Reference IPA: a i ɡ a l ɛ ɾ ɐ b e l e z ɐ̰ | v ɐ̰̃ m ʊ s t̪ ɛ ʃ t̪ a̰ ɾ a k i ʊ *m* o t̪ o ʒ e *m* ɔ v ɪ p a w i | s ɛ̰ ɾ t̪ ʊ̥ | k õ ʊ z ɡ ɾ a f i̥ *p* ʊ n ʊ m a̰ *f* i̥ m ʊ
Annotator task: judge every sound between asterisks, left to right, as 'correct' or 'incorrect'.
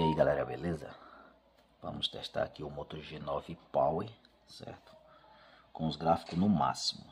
correct, incorrect, incorrect, incorrect

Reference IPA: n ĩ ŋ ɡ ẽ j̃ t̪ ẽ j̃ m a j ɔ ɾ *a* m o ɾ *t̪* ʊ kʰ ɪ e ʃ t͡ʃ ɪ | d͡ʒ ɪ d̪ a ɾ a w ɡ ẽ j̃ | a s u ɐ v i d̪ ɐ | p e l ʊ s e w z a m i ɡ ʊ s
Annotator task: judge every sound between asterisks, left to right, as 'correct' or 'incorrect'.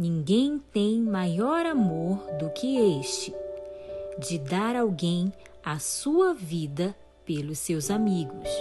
correct, incorrect

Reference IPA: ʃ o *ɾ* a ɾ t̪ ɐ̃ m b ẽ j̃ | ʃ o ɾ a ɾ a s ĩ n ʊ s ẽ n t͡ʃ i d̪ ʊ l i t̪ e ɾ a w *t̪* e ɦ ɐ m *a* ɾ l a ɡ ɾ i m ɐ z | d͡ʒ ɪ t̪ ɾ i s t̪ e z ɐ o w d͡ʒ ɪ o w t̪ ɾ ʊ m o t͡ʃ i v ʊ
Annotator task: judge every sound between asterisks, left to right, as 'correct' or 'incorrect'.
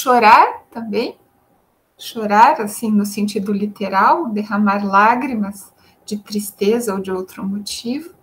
correct, incorrect, correct

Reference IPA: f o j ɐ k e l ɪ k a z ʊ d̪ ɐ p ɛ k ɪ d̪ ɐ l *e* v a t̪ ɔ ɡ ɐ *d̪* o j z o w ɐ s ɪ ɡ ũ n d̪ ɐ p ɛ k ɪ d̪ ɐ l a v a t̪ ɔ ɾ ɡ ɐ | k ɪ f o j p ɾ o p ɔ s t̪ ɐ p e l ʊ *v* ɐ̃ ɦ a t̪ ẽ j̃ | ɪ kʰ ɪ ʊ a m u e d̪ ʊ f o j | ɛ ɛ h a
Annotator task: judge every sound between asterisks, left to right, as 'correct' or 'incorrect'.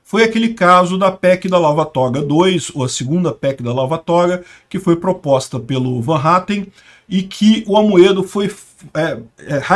incorrect, correct, correct

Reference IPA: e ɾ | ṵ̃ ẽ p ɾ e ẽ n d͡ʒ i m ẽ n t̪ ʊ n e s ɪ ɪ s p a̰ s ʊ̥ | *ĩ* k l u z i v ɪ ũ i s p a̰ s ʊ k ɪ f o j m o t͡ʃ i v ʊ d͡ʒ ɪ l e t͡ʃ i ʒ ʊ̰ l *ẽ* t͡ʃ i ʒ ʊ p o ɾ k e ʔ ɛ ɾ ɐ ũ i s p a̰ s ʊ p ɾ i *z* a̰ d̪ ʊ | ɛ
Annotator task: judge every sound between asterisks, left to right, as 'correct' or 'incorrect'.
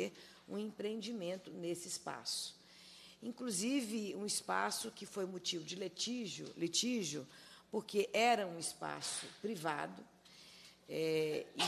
correct, incorrect, incorrect

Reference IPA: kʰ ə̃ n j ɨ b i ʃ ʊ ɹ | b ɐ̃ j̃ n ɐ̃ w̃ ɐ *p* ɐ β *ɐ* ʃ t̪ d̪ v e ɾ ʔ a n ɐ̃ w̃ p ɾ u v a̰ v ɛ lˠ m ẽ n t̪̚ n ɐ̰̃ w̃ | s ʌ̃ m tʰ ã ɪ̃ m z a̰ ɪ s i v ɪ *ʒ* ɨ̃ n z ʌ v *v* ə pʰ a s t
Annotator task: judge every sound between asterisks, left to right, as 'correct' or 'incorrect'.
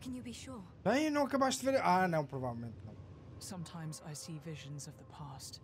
incorrect, incorrect, correct, incorrect

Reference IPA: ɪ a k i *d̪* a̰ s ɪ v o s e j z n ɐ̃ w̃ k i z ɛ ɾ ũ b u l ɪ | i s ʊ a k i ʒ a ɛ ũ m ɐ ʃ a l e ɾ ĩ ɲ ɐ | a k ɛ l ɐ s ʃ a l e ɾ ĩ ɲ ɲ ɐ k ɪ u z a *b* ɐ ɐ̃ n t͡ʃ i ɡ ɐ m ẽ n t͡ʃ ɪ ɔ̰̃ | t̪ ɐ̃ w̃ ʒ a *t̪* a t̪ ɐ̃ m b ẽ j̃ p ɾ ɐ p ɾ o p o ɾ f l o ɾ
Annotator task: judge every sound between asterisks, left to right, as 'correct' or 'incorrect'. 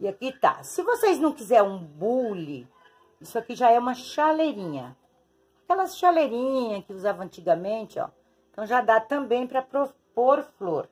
incorrect, incorrect, incorrect

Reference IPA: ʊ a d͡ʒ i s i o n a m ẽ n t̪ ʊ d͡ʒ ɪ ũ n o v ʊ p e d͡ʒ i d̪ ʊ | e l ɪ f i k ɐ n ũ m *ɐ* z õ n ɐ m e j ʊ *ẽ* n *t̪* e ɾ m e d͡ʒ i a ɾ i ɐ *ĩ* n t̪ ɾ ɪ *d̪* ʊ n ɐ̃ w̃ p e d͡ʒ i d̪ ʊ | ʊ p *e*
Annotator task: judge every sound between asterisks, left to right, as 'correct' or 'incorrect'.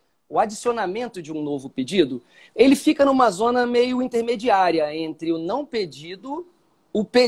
correct, incorrect, correct, incorrect, incorrect, correct

